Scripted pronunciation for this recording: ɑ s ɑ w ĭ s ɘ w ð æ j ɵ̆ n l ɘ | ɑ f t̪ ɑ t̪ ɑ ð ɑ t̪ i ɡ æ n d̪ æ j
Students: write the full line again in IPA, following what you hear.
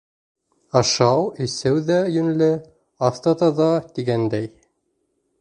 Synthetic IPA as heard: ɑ ʃ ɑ w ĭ s ɘ w ð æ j ɵ̆ n l ɘ | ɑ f t̪ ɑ t̪ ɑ ð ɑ t̪ i ɡ æ n d̪ æ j